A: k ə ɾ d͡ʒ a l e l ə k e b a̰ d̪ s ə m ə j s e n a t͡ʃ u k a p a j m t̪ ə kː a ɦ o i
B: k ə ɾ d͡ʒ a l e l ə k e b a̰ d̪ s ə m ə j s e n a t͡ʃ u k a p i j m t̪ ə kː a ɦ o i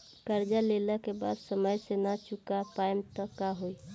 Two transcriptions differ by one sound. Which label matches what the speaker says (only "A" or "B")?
A